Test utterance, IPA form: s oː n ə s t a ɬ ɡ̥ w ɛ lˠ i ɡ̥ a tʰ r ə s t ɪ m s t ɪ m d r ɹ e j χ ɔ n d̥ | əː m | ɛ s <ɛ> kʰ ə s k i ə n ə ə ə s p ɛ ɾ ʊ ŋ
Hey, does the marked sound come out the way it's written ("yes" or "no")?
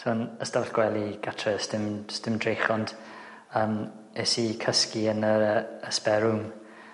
no